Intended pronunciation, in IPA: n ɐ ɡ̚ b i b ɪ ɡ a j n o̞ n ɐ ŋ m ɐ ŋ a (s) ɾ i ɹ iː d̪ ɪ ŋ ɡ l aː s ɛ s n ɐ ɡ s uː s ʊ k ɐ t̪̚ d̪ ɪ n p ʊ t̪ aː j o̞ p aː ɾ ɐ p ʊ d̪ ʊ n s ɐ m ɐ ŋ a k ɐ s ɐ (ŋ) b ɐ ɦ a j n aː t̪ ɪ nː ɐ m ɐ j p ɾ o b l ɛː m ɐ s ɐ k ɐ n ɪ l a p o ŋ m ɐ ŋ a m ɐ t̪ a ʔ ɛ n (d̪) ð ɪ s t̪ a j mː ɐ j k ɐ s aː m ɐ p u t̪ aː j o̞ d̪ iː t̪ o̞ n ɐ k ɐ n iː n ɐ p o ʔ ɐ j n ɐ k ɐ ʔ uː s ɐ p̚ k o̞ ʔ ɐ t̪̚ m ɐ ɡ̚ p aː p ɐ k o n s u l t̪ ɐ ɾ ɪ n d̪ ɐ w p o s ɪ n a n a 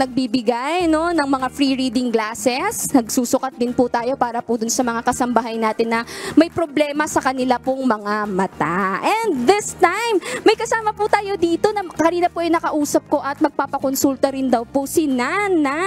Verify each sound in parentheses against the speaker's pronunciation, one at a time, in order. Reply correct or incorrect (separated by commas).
incorrect, incorrect, correct